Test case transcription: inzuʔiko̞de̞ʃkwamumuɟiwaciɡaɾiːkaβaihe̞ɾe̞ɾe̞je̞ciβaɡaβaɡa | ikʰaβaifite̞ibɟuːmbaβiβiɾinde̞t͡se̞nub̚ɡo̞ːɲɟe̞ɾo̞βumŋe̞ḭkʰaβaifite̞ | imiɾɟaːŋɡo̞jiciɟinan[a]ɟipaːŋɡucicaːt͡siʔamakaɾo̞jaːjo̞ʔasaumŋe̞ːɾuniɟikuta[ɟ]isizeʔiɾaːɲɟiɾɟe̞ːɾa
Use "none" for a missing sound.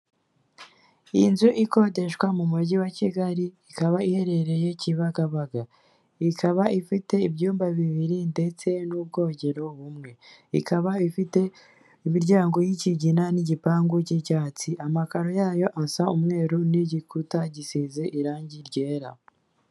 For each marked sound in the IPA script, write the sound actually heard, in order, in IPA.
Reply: i, ɟ

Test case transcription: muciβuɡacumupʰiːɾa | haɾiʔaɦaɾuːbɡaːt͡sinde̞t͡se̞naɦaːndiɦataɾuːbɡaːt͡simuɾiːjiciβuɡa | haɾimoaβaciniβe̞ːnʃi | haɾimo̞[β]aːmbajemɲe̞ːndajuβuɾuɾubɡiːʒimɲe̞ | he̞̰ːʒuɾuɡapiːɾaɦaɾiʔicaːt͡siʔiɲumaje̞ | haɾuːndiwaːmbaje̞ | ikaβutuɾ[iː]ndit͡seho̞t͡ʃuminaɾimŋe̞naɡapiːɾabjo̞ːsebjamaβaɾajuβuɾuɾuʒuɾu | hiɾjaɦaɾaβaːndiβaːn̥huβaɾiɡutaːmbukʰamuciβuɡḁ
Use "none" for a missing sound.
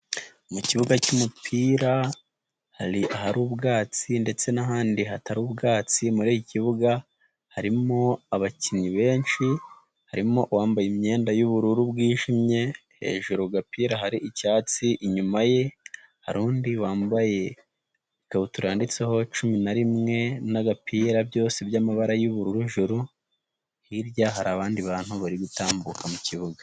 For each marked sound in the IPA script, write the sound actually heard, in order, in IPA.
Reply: w, aː

